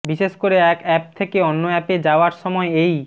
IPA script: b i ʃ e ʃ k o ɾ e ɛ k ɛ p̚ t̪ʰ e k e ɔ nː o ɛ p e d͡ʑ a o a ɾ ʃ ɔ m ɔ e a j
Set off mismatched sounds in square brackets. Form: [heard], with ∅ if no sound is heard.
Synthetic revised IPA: b i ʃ e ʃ k o ɾ e ɛ k ɛ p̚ t̪ʰ e k e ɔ nː o ɛ p e d͡ʑ a o a ɾ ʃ ɔ m ɔ e [e] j